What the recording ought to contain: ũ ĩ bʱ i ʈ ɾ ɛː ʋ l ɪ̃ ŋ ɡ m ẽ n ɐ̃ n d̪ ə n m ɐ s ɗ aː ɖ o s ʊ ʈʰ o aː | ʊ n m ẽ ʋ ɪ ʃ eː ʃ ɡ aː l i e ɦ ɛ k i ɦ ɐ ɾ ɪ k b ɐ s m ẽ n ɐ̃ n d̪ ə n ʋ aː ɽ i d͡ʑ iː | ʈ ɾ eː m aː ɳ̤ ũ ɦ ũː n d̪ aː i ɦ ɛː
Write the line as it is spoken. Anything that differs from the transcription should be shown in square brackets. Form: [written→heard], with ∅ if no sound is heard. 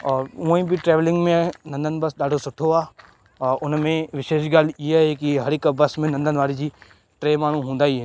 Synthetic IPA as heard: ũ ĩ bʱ i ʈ ɾ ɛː ʋ l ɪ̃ ŋ ɡ m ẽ n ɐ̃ n d̪ ə n [m→b] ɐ s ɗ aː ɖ o s ʊ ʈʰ o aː | ʊ n m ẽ ʋ ɪ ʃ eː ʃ ɡ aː l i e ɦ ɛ k i ɦ ɐ ɾ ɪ k b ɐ s m ẽ n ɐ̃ n d̪ ə n ʋ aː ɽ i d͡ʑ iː | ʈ ɾ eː m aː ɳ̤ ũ ɦ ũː n d̪ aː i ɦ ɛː